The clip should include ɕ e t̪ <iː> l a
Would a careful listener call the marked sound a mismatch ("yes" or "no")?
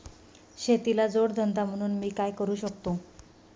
yes